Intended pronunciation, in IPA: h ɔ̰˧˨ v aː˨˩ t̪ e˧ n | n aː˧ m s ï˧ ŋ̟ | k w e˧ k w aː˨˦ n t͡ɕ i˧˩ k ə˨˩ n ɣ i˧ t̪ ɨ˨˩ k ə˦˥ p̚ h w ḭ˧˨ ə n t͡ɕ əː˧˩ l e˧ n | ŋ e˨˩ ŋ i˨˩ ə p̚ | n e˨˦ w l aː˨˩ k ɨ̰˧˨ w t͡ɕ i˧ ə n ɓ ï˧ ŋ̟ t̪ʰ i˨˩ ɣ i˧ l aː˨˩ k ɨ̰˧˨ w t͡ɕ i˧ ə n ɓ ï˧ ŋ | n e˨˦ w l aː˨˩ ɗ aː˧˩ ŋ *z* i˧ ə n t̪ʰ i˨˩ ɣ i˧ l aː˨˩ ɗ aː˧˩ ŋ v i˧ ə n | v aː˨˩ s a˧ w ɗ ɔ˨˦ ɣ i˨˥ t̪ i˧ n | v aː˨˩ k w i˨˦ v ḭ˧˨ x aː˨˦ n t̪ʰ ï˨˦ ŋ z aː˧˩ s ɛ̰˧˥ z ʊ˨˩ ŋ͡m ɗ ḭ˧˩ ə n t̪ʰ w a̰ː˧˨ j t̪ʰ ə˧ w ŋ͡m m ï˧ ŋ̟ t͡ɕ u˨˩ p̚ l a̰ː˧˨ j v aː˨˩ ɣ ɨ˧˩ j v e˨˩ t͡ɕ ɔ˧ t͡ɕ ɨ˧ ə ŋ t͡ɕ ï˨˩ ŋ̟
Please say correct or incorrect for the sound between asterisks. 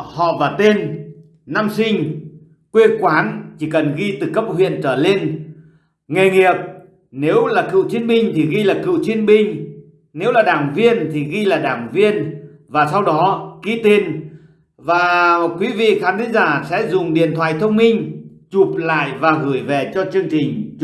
incorrect: v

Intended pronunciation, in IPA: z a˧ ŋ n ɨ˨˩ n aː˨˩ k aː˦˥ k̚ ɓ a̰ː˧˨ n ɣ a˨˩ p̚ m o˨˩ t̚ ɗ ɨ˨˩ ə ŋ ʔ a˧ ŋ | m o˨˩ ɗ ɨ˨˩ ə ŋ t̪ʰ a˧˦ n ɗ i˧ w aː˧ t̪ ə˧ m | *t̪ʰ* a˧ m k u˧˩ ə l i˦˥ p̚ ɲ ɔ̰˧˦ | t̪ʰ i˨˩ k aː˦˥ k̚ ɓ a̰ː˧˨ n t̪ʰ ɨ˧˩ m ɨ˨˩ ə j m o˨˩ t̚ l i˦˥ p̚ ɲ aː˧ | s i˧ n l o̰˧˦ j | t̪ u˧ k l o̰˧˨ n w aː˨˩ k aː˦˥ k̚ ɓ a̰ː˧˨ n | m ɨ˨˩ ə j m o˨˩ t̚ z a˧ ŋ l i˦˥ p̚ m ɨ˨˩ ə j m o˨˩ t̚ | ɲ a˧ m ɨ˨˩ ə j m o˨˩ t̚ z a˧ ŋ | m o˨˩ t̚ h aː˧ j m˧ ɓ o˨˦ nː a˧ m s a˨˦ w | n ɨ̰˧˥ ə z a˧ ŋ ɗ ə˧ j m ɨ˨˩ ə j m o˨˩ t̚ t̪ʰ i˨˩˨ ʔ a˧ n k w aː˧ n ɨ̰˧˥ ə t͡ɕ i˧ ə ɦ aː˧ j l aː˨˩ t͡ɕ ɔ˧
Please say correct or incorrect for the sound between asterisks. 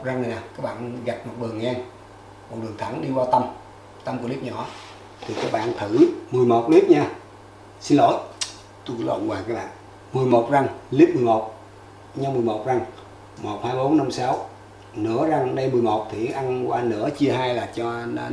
incorrect: t̪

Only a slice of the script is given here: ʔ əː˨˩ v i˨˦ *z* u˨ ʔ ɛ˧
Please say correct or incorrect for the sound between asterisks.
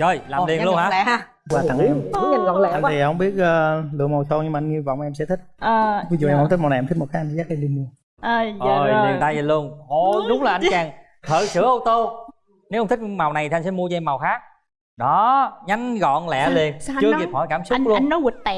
correct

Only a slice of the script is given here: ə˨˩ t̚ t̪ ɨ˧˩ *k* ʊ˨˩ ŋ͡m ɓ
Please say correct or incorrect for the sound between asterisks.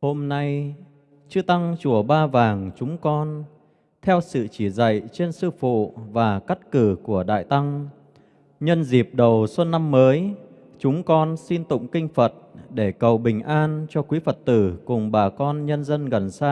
correct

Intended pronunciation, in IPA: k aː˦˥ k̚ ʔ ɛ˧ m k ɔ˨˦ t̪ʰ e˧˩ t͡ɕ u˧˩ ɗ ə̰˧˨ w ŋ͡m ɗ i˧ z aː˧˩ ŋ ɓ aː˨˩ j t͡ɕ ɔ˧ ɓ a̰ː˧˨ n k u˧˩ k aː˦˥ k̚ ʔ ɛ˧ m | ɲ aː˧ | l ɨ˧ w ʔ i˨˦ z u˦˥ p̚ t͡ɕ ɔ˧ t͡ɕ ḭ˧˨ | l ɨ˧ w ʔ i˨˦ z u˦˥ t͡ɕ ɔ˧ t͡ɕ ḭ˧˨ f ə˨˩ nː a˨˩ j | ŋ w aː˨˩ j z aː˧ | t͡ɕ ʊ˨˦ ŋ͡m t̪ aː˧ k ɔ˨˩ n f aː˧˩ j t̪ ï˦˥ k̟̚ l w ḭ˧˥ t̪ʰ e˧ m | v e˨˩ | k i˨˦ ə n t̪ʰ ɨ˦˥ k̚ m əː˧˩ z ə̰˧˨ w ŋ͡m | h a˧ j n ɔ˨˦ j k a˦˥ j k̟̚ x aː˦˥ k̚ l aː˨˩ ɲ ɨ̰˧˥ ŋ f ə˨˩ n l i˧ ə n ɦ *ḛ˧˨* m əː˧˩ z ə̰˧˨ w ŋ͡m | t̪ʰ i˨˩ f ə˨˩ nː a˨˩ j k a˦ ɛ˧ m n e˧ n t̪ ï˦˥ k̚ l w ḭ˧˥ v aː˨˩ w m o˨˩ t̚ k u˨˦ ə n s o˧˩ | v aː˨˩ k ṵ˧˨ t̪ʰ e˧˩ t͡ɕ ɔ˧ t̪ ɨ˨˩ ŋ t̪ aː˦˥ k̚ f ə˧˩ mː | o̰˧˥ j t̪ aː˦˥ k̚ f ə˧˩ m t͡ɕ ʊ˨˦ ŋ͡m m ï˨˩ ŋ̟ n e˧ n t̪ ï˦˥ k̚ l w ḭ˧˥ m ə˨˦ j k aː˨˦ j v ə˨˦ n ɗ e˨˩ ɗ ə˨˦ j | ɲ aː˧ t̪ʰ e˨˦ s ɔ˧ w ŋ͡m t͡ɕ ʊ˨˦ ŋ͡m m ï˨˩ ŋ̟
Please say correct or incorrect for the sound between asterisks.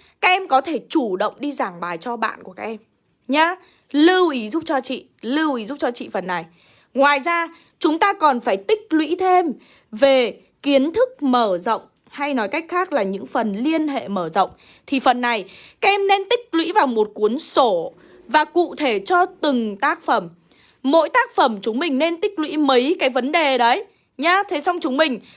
correct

